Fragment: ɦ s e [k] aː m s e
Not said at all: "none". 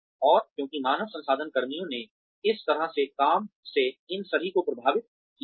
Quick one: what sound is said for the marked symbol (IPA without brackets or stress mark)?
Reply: k